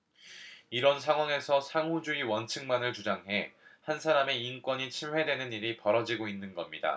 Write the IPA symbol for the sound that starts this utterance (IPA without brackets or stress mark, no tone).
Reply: i